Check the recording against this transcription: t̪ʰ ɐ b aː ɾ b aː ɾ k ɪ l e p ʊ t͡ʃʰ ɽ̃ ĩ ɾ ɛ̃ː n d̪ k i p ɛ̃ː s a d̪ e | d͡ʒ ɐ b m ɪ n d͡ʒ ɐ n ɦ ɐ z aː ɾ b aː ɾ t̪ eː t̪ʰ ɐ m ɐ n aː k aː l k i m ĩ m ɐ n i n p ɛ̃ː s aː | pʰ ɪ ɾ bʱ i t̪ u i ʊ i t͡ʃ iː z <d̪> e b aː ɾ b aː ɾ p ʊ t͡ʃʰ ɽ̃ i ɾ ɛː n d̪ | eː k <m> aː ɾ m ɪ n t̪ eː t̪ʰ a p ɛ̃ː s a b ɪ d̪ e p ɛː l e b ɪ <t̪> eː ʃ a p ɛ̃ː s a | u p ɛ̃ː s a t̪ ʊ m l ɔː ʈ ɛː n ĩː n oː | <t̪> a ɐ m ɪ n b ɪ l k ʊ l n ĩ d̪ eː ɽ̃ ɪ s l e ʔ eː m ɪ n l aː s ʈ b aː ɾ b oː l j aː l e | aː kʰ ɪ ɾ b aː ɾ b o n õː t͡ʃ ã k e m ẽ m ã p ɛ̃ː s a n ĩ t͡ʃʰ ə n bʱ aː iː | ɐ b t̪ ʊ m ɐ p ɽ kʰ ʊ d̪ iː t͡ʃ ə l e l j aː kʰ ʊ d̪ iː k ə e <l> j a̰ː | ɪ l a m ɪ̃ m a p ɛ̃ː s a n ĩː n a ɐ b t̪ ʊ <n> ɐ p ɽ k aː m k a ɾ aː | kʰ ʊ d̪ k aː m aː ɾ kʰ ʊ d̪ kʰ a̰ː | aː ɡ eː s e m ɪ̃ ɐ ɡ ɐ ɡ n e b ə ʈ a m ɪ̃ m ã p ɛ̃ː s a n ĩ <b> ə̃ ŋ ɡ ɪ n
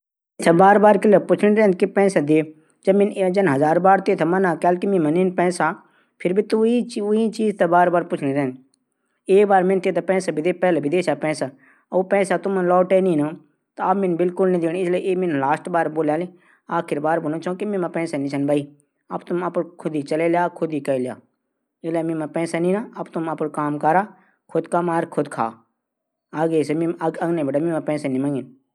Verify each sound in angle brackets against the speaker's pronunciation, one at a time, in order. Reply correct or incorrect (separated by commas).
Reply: incorrect, incorrect, incorrect, correct, correct, incorrect, incorrect